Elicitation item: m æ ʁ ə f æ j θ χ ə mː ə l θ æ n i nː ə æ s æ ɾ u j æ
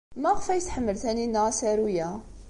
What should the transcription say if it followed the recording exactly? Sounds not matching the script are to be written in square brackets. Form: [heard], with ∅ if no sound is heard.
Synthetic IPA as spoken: m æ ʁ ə f æ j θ [ħ] ə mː ə l θ æ n i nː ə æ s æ ɾ u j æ